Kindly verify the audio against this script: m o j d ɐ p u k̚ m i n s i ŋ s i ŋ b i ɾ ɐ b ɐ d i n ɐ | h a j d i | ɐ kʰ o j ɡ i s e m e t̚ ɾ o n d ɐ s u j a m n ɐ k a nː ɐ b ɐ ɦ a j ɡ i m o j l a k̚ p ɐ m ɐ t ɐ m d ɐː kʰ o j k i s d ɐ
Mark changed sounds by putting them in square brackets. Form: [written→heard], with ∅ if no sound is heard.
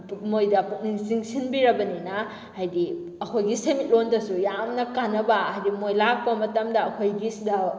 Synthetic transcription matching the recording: m o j d ɐ p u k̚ [m→n] i [n→ŋ] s i ŋ s i [ŋ→n] b i ɾ ɐ b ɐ [d→n] i n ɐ | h a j d i | ɐ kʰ o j ɡ i s e m [e→i] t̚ [ɾ→l] o n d ɐ s u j a m n ɐ k a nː ɐ b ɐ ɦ a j [ɡ→d] i m o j l a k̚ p ɐ m ɐ t ɐ m d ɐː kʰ o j [k→ɡ] i s d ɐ